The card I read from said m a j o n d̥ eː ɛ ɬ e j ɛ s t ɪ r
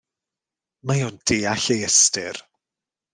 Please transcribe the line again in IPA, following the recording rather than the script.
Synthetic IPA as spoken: m a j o n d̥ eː a ɬ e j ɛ s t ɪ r